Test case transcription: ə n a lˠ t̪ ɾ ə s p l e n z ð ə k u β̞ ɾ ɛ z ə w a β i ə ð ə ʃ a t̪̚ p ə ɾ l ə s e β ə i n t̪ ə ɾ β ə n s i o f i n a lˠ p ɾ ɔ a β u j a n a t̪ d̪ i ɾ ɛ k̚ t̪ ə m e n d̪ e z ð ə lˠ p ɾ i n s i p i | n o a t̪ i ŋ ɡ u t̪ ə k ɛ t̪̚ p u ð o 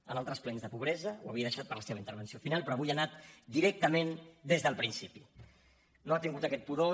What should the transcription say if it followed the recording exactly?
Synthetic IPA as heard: ə n a lˠ t̪ ɾ ə s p l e n z ð ə p u β̞ ɾ ɛ z ə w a β i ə ð ə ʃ a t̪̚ p ə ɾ l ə s e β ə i n t̪ ə ɾ β ə n s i o f i n a lˠ p ɾ ɔ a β u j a n a t̪ d̪ i ɾ ɛ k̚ t̪ ə m e n d̪ e z ð ə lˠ p ɾ i n s i p i | n o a t̪ i ŋ ɡ u t̪ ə k ɛ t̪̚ p u ð o